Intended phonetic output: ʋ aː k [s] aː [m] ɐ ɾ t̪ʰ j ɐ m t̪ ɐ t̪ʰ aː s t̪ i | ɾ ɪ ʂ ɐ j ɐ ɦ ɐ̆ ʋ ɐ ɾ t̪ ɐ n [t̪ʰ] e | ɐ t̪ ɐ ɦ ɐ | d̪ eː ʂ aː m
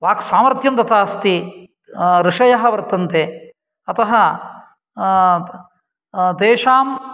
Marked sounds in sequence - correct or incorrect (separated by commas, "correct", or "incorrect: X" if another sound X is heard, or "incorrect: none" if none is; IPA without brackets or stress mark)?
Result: correct, correct, incorrect: t̪